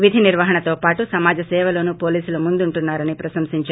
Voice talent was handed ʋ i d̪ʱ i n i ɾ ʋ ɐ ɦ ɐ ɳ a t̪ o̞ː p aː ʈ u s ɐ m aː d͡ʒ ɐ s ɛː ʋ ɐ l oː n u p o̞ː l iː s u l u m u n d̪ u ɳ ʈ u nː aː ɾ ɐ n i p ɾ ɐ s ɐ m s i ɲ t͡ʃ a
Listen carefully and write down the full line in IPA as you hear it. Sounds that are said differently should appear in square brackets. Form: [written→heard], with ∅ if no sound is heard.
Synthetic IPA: ʋ i d̪ʱ i n i ɾ ʋ ɐ ɦ ɐ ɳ [a→ɐ] t̪ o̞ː p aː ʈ u s ɐ m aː d͡ʒ ɐ s ɛː ʋ ɐ l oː n u p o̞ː l iː s u l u m u n d̪ u ɳ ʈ u nː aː ɾ ɐ n i p ɾ ɐ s ɐ m s i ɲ t͡ʃ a